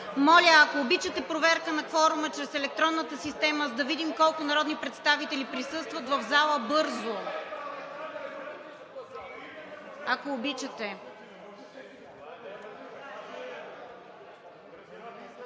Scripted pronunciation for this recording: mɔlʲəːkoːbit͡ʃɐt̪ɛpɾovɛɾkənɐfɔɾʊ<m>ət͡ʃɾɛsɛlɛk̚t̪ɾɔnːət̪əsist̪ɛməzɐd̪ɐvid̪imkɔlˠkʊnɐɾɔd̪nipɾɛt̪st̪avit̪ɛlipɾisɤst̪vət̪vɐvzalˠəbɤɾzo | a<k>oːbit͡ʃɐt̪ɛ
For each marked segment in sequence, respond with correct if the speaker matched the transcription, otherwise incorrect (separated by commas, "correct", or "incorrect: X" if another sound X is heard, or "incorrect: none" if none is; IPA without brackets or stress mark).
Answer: correct, correct